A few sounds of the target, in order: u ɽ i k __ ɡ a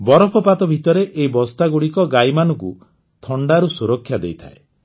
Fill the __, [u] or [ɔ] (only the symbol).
ɔ